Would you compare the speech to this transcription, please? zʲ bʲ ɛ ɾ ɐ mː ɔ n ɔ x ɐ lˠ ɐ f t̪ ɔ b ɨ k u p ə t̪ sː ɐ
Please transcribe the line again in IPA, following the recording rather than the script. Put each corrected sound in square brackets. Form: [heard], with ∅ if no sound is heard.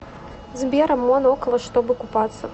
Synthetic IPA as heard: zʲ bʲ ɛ ɾ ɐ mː ɔ n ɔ [k] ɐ lˠ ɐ [ʂ] t̪ ɔ b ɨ k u p [a] t̪ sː ɐ